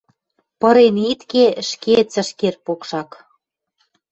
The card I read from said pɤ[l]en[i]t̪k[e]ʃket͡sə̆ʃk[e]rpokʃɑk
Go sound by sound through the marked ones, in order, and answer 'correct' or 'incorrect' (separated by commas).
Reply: incorrect, correct, correct, correct